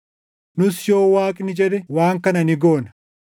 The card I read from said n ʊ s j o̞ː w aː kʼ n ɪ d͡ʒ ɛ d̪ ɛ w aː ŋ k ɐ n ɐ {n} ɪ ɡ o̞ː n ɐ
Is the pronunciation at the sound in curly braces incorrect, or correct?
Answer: correct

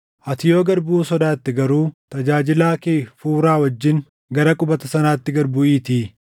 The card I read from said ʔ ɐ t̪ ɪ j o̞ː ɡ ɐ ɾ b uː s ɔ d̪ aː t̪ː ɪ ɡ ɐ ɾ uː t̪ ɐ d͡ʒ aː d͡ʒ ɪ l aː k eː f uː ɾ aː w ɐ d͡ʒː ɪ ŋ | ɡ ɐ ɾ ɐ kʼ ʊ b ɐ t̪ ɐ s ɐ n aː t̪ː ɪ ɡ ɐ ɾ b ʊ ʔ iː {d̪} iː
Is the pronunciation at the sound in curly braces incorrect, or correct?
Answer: incorrect: t̪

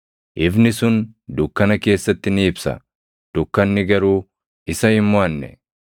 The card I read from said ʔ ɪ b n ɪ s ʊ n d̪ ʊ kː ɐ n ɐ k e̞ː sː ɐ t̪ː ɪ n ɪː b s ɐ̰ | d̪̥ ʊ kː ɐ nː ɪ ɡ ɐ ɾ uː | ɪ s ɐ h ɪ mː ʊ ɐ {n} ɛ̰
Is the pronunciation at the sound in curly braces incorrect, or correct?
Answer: incorrect: nː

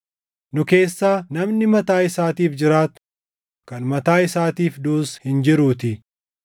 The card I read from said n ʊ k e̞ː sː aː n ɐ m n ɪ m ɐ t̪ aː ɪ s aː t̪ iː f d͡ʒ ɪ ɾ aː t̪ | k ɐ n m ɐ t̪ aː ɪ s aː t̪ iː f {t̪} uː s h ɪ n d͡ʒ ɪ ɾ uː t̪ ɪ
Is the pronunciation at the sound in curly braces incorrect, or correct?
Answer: incorrect: d̪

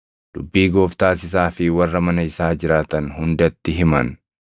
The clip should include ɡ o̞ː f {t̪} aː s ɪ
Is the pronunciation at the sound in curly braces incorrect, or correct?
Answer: correct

